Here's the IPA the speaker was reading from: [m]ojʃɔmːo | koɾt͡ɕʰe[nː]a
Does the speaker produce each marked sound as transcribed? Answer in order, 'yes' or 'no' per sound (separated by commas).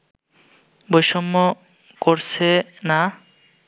no, no